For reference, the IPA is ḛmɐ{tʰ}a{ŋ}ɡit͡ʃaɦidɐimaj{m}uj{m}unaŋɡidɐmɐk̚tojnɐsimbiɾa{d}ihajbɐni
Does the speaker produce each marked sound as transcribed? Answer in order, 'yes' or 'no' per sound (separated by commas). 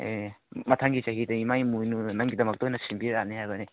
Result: yes, yes, yes, no, no